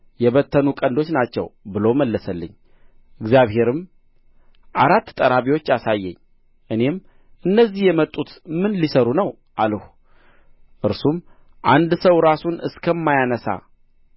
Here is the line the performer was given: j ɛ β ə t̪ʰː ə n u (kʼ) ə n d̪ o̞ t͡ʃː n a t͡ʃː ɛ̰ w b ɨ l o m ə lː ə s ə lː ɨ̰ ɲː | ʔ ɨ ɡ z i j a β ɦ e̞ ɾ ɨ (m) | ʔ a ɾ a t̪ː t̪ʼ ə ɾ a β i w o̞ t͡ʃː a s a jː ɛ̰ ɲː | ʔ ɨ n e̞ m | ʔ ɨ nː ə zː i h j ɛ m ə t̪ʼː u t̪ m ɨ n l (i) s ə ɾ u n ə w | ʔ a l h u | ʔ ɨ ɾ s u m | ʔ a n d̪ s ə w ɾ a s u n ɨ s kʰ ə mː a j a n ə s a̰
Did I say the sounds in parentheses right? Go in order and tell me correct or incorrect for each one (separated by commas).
correct, correct, correct